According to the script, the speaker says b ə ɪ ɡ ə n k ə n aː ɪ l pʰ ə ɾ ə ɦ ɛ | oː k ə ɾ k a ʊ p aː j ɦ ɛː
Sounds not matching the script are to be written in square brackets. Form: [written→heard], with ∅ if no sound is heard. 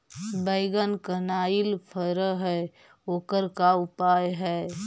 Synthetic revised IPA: b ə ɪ ɡ ə n k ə n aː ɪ l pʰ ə ɾ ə ɦ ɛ | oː k ə ɾ k a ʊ p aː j ɦ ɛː